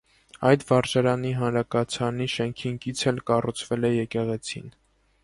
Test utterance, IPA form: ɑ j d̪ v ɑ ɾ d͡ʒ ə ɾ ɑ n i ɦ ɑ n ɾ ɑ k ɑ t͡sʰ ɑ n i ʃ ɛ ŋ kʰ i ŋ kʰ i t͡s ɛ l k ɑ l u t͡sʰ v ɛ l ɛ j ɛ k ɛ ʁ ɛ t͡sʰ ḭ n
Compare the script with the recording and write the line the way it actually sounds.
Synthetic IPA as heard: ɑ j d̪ v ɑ ɾ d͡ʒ ɑ ɾ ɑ n i ɦ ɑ n ɾ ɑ k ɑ t͡sʰ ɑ n i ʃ ɛ ŋ kʰ i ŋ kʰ i t͡sʰ ɛ l k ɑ r u t͡sʰ v ɛ l ɛ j ɛ k ɛ ʁ ɛ t͡sʰ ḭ n